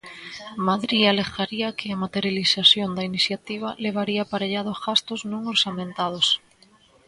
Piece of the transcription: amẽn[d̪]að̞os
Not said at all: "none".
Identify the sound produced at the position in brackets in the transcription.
t̪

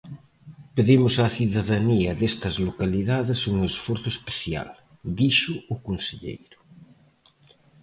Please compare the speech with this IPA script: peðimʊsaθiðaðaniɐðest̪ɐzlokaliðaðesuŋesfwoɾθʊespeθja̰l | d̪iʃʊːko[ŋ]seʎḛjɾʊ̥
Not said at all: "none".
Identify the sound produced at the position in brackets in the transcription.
n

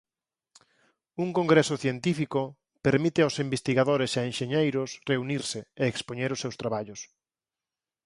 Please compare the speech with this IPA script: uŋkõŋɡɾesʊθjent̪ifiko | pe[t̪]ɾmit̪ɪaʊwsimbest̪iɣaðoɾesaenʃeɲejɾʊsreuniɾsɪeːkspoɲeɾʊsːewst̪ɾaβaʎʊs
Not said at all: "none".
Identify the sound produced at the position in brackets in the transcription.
none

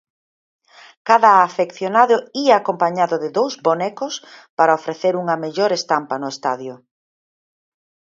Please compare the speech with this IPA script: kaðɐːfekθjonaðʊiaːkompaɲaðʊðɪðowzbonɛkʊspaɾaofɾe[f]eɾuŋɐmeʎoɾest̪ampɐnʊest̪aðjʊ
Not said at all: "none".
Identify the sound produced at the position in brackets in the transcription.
θ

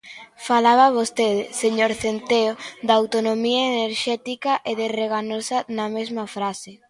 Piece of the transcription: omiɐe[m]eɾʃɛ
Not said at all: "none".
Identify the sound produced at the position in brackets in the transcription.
n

